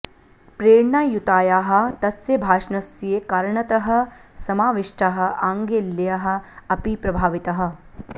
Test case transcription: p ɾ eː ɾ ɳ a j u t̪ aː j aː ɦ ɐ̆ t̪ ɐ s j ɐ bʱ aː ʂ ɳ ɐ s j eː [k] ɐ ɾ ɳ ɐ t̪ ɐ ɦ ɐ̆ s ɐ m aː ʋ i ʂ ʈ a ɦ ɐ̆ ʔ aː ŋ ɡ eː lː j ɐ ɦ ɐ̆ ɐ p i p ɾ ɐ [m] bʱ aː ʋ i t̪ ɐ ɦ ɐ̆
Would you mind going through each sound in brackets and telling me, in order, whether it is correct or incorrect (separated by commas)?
correct, incorrect